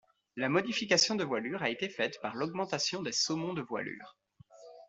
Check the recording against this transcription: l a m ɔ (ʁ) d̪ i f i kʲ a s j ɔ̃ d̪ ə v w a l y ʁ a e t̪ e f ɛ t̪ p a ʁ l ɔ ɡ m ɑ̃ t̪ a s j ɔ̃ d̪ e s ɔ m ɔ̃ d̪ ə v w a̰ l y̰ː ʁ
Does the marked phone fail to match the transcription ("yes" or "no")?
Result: yes